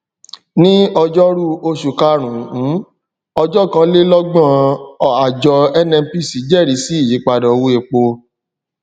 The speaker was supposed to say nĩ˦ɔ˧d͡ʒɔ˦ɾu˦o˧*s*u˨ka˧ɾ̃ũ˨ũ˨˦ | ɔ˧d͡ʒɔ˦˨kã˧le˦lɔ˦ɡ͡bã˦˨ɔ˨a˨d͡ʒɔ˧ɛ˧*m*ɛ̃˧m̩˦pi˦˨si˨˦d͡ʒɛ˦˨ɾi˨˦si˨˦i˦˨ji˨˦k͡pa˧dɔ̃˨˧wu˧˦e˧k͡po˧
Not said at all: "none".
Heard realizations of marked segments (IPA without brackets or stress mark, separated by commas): ʃ, n